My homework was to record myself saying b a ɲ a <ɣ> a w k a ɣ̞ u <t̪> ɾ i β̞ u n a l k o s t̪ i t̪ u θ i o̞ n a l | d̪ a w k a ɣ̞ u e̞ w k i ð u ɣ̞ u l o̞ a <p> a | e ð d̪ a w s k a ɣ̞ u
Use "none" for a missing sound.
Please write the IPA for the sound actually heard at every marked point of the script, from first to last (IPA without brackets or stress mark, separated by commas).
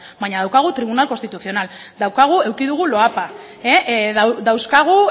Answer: ð, t̪, p